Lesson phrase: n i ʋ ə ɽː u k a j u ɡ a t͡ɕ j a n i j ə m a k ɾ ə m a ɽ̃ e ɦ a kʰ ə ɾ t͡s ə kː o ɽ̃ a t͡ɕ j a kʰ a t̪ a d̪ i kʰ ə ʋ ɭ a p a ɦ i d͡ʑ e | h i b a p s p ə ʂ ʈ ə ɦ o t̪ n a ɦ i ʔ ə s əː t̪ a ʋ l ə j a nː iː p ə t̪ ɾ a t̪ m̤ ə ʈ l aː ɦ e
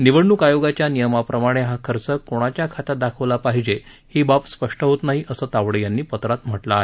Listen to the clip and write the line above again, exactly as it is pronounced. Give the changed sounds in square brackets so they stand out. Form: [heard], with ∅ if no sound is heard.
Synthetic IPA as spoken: n i ʋ ə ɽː u k a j [o] ɡ a t͡ɕ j a n i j ə m a [p] ɾ ə m a ɽ̃ e ɦ a kʰ ə ɾ t͡s ə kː o ɽ̃ a t͡ɕ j a kʰ a t̪ a d̪ [a] kʰ ə ʋ [l] a p a ɦ i d͡ʑ e | h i b a p s p ə ʂ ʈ ə ɦ o t̪ n a ɦ i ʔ ə s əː t̪ a ʋ [ɽ] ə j a nː iː p ə t̪ ɾ a t̪ m̤ ə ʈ l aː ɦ e